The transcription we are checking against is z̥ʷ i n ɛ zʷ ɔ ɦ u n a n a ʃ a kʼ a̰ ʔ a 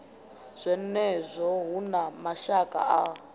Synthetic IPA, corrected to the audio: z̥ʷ ɛ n ɛ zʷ ɔ ɦ u n a m a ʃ a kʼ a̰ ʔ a